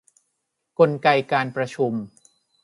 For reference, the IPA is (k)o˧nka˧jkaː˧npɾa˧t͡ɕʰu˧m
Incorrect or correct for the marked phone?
correct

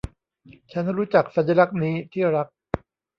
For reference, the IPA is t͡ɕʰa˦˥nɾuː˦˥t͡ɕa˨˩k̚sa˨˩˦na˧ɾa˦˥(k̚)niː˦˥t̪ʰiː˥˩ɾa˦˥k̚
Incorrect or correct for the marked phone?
correct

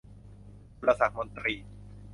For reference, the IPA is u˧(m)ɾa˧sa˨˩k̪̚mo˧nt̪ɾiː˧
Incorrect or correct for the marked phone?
incorrect: none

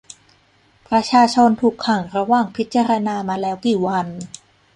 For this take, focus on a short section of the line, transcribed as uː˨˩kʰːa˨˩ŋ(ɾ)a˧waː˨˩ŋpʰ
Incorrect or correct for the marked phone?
correct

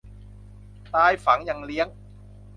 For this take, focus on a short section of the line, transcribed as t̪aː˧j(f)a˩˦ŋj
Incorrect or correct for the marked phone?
correct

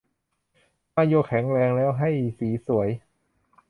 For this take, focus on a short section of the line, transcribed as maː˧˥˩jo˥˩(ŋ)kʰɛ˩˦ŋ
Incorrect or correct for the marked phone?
incorrect: none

